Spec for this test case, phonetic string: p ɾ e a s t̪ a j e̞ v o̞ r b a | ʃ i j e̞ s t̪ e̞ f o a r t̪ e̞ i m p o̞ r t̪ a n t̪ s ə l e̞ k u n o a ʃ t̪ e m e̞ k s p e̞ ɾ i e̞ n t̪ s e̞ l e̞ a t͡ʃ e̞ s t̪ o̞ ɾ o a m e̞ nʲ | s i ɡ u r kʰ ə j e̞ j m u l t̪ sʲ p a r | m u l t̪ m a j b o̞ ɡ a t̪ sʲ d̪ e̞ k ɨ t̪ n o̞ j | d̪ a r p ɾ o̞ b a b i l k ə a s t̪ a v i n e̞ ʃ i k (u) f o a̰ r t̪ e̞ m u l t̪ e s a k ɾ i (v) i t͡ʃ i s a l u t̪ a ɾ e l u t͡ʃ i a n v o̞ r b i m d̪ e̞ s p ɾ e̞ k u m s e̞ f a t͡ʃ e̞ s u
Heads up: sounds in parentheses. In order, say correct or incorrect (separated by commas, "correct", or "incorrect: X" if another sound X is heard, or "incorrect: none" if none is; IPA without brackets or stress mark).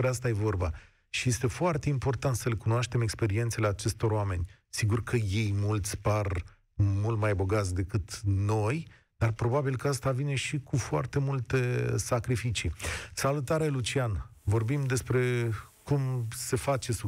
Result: correct, incorrect: f